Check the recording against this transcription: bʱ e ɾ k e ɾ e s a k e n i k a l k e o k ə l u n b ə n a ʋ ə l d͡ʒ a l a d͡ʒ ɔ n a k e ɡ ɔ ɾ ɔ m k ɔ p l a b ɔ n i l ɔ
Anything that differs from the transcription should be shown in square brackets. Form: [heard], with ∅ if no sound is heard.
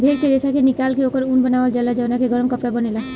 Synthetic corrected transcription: bʱ e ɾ k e ɾ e s a k e n i k a l k e o k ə [ɾ] u n b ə n a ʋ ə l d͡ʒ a l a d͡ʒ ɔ n a k e ɡ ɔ ɾ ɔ m k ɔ p [ɾ] a b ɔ n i l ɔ